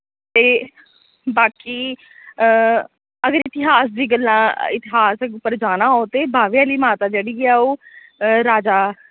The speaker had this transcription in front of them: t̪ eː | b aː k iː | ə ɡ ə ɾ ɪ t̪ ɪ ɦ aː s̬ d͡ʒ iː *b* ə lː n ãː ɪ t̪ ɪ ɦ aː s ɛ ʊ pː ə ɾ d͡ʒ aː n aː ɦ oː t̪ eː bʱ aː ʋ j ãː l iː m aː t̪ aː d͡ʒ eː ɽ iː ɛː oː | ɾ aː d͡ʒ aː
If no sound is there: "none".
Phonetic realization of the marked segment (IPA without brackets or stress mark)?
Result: ɡ